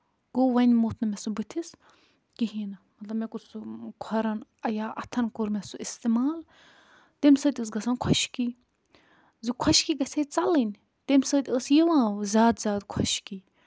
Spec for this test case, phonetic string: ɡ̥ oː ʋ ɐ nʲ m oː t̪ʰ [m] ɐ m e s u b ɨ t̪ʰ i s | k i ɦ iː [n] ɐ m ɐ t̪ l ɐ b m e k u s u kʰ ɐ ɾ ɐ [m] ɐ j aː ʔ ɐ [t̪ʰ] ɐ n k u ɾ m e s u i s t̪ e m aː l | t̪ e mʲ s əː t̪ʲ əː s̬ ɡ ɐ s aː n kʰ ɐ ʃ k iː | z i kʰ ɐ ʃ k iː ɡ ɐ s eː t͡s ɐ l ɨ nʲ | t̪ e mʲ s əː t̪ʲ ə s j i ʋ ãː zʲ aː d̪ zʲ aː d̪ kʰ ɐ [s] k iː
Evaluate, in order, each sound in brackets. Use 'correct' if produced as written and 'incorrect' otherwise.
incorrect: n, correct, incorrect: n, correct, incorrect: ʃ

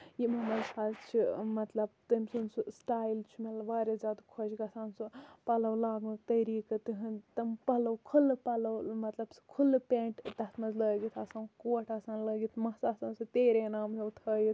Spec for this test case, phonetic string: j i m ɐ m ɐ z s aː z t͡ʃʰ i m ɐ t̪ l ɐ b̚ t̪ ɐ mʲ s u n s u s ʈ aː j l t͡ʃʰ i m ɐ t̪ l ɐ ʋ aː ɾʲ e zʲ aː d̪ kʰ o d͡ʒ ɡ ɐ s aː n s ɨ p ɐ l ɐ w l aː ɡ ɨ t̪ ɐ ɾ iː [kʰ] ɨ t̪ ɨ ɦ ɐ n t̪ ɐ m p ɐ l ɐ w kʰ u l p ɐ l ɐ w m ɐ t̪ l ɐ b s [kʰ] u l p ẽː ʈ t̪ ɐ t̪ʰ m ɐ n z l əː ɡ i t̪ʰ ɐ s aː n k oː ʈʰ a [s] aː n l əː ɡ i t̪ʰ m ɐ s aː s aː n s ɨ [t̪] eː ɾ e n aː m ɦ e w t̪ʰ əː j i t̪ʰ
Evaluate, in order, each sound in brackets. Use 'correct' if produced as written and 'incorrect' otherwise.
incorrect: k, correct, correct, correct

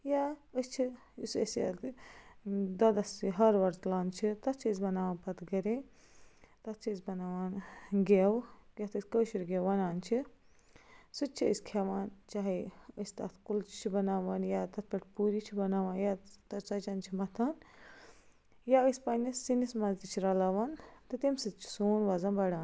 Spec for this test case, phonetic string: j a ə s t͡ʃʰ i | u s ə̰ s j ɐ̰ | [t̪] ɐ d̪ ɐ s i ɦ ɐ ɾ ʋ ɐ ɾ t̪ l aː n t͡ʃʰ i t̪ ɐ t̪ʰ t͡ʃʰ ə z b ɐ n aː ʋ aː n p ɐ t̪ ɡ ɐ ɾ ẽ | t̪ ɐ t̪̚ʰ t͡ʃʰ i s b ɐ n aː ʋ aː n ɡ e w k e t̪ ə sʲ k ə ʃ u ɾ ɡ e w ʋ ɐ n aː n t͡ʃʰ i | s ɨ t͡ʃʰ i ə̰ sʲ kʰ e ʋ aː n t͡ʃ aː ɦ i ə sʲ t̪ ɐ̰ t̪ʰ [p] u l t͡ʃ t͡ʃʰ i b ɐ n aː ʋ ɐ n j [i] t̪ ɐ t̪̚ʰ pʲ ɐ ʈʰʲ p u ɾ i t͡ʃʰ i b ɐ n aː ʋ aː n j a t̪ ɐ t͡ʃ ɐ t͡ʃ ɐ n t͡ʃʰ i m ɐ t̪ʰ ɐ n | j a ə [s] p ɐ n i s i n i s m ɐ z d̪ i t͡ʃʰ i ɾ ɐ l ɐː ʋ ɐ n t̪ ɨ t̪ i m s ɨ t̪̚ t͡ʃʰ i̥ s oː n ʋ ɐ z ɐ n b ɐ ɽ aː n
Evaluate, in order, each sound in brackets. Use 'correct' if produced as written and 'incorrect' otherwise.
incorrect: d̪, incorrect: k, incorrect: a, correct

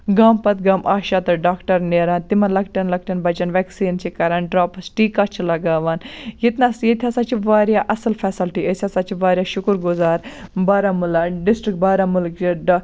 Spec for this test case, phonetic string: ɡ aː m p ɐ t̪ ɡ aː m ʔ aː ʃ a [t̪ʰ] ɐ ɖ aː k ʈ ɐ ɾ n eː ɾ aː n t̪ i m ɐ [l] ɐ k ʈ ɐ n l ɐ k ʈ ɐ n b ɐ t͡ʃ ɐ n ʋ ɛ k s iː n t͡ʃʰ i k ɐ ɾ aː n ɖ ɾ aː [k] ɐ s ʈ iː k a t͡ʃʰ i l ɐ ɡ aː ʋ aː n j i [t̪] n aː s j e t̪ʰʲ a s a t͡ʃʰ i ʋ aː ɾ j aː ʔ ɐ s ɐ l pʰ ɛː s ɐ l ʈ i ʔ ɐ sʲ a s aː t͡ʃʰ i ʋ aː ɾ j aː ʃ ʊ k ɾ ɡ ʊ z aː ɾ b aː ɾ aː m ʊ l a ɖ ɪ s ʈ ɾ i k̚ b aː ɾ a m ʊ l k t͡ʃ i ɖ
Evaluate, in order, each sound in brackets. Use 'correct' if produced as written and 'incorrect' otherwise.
incorrect: t̪, correct, incorrect: p, correct

